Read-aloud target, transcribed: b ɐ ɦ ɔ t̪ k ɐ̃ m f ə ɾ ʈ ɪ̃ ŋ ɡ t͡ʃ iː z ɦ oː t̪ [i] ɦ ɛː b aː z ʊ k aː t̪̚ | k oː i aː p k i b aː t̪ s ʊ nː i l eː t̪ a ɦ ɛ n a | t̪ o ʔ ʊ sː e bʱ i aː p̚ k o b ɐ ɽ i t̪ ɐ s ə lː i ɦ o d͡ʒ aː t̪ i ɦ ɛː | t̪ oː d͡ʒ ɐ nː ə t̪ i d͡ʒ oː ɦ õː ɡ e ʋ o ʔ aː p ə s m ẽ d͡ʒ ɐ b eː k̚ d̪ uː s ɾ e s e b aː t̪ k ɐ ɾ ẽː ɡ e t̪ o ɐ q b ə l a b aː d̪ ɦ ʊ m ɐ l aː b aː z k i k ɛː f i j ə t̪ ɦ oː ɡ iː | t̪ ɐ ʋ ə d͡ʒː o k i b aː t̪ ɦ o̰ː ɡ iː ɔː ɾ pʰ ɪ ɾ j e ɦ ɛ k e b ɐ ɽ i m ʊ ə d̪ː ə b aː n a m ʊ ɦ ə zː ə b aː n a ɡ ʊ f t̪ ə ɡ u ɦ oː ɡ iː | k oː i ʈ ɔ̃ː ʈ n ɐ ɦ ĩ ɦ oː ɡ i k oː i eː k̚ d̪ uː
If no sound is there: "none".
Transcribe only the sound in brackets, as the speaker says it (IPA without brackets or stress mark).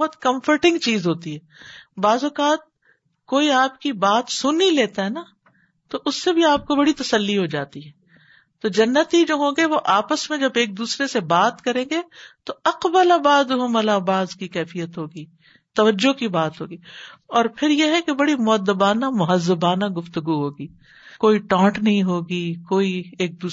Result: i